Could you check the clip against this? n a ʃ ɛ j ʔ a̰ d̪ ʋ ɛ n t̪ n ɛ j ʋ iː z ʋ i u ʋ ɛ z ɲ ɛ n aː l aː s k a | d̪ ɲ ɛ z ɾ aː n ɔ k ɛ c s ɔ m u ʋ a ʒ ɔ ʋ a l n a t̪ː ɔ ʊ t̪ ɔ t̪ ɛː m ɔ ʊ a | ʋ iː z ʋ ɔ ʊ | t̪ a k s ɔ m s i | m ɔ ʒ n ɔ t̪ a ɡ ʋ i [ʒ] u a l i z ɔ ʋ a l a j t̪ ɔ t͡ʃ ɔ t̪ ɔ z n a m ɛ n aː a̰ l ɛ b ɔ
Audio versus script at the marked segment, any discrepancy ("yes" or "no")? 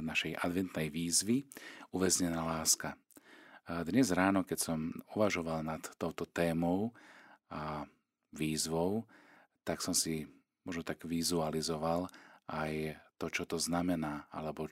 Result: yes